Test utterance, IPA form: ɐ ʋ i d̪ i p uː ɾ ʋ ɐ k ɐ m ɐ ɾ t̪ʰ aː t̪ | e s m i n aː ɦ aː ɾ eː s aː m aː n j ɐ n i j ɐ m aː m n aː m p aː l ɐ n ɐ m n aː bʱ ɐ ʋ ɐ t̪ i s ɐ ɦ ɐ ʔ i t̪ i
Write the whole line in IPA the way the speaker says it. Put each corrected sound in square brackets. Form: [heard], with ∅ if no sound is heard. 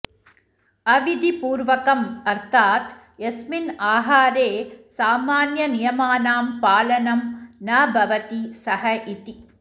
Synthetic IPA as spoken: ɐ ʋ i d̪ i p uː ɾ ʋ ɐ k ɐ m ɐ ɾ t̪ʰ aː t̪ | e s m i n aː ɦ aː ɾ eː s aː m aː n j ɐ n i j ɐ m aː [∅] n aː m p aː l ɐ n ɐ m n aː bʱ ɐ ʋ ɐ t̪ i s ɐ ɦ ɐ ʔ i t̪ i